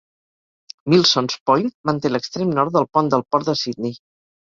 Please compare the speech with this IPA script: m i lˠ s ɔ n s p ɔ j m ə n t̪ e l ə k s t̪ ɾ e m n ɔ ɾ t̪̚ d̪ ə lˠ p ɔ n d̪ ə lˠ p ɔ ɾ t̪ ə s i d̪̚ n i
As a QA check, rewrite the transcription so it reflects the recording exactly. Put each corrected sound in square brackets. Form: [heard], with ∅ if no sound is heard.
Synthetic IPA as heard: m i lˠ s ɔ n s p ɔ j m ə n t̪ e l ə k s t̪ ɾ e m n ɔ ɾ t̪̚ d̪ ə lˠ p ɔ n d̪ ə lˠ p ɔ ɾ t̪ ə s i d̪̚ n i